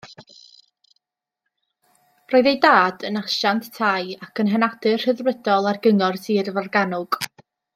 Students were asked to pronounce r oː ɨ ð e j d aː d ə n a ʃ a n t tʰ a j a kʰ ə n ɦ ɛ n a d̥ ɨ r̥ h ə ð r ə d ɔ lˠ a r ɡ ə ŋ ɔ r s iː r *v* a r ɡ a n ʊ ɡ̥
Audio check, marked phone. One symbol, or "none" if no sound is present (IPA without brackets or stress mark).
v